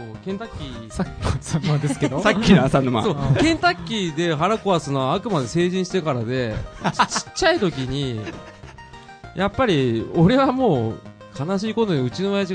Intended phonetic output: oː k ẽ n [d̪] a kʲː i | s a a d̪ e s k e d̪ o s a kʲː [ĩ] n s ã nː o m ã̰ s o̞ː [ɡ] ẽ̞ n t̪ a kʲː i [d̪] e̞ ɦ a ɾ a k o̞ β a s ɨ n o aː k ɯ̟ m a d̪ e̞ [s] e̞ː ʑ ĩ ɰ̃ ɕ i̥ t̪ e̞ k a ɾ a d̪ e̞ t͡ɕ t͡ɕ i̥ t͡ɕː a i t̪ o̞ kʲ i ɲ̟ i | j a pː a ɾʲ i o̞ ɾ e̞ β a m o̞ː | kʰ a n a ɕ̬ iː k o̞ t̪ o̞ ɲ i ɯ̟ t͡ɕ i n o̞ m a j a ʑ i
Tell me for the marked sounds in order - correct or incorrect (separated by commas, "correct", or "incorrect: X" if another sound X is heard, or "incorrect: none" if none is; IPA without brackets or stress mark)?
incorrect: t̪, incorrect: i, incorrect: k, correct, correct